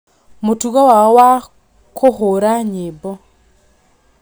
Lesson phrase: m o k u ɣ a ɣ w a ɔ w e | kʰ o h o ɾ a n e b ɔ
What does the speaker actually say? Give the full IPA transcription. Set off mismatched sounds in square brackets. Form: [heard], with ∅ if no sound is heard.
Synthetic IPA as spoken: m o [t] u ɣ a [∅] w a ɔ w [a] | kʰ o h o ɾ a [ɲ] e b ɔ